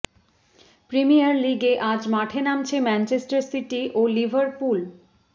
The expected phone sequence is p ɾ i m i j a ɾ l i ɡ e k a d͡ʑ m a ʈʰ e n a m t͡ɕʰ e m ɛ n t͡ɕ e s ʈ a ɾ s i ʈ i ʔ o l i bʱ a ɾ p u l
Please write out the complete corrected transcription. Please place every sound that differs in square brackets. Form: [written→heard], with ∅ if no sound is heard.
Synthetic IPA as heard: p ɾ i m i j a ɾ l i ɡ e [k→ʔ] a d͡ʑ m a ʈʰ e n a m t͡ɕʰ e m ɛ n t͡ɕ e s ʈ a ɾ s i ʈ i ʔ o l i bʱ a ɾ p u l